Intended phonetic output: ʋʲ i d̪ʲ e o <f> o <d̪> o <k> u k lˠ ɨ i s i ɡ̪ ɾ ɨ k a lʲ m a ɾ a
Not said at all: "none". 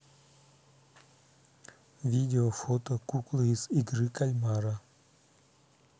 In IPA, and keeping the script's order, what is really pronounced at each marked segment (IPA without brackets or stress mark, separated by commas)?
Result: f, t̪, k